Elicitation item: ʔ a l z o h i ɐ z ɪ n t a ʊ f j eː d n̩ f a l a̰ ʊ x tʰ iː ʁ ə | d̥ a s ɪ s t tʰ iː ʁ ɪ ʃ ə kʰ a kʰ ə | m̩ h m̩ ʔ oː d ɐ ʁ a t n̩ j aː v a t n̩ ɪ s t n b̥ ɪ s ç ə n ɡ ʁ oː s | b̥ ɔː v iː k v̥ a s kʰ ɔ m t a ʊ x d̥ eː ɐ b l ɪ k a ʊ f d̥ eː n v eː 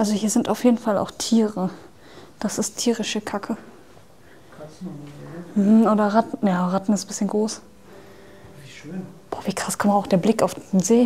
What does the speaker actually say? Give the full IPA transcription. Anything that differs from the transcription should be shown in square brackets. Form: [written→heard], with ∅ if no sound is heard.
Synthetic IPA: ʔ a l z o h [i→iː] ɐ z ɪ n t a ʊ f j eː d n̩ f a l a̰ ʊ x tʰ iː ʁ ə | d̥ a s ɪ s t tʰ iː ʁ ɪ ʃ ə kʰ a kʰ ə | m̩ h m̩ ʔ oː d ɐ ʁ a t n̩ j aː [v→ʁ] a t n̩ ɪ s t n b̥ ɪ s ç ə n ɡ ʁ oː s | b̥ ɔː v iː k [v̥→ʁ̥] a s kʰ ɔ m t a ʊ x d̥ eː ɐ b l ɪ k a ʊ f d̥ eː n [v→z] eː